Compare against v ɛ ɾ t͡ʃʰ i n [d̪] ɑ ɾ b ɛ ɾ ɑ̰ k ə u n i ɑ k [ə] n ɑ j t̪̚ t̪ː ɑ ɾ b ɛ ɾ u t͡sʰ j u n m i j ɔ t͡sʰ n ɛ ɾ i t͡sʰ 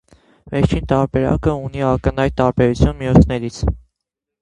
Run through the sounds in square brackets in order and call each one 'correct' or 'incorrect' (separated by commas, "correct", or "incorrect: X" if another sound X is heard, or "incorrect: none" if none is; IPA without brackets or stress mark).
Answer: incorrect: t̪, correct